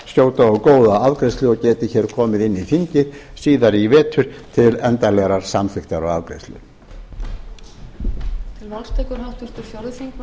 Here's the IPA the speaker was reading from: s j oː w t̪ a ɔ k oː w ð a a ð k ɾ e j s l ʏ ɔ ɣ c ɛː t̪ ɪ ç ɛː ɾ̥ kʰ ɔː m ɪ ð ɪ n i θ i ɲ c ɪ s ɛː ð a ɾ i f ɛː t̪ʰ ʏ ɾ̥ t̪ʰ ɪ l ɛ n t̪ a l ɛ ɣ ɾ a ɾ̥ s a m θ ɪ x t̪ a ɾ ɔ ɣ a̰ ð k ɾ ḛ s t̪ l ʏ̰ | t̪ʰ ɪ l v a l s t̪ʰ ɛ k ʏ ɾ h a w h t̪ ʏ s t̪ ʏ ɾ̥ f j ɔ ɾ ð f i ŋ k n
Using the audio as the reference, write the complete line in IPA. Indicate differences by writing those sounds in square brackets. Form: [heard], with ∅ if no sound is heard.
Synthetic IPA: s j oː w t̪ a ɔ k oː w ð a a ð k ɾ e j s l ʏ ɔ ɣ c ɛː t̪ ɪ ç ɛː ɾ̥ kʰ ɔː m ɪ ð ɪ [nː] i θ i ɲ c ɪ s [iː] ð a ɾ i [v] ɛː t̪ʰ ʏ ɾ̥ t̪ʰ ɪ l ɛ n t̪ a l ɛ ɣ ɾ a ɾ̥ s a m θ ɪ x t̪ a ɾ ɔ ɣ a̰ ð k ɾ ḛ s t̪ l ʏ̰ | t̪ʰ ɪ l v a l s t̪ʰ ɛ k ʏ ɾ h a w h t̪ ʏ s t̪ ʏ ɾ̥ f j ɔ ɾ ð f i ŋ k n